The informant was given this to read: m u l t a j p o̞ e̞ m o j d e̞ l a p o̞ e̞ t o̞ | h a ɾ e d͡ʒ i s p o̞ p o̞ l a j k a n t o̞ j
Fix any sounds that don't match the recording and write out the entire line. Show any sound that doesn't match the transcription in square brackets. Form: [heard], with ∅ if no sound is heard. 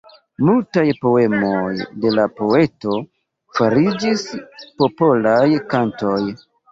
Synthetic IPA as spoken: m u l t a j p o̞ e̞ m o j d e̞ l a p o̞ e̞ t o̞ | [f] a ɾ [i] d͡ʒ i s p o̞ p o̞ l a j k a n t o̞ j